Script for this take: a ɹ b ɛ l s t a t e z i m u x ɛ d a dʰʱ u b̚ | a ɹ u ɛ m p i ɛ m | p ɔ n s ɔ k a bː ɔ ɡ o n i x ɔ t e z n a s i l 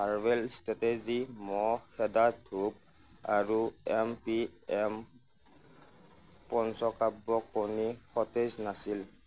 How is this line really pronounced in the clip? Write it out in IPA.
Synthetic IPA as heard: a ɹ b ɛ l s t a t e z i m ɔ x ɛ d a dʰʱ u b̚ | a ɹ u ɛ m p i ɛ m | p ɔ n s ɔ k a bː ɔ k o n i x ɔ t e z n a s i l